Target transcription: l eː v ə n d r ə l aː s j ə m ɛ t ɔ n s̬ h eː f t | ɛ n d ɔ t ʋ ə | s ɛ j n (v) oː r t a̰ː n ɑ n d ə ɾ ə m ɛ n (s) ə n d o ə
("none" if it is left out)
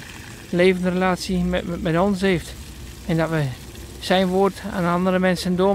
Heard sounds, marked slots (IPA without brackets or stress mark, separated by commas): ʋ, s